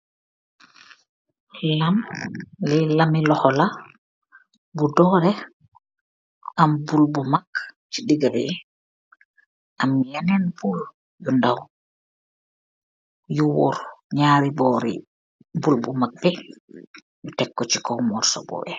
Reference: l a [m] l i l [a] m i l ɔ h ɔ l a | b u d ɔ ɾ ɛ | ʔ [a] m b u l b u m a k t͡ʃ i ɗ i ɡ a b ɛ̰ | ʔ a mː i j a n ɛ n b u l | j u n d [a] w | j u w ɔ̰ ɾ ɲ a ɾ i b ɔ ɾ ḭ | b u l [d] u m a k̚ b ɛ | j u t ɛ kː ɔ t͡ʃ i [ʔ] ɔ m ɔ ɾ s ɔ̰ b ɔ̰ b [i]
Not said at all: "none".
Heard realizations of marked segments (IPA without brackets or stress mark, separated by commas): m, a, a, a, b, k, ɛ